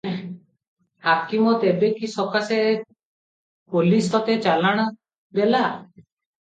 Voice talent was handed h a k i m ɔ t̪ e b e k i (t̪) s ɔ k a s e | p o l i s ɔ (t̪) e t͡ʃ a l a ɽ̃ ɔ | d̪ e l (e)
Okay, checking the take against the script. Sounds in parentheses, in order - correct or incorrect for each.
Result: incorrect: none, correct, incorrect: a

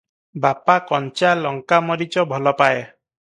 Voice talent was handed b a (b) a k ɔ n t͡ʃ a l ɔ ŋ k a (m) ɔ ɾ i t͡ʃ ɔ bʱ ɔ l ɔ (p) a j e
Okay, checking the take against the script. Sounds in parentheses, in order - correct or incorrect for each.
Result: incorrect: p, correct, correct

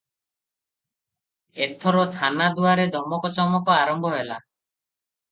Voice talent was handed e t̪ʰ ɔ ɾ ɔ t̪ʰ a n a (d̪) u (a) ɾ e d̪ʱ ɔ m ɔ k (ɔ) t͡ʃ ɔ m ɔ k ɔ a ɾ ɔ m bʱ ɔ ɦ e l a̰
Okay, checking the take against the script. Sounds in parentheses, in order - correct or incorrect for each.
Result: correct, correct, correct

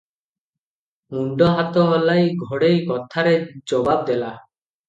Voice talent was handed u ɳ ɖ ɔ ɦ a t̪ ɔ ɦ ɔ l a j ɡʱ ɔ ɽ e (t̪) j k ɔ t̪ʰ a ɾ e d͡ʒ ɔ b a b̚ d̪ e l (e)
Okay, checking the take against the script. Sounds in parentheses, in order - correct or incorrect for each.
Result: incorrect: none, incorrect: a

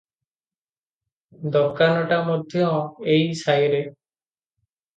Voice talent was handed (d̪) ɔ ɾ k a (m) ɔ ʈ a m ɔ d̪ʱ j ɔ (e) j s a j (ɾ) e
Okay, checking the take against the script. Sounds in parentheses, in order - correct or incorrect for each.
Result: correct, incorrect: n, correct, correct

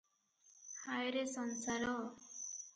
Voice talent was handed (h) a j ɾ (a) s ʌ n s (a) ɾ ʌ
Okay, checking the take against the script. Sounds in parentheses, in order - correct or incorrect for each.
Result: correct, incorrect: e, correct

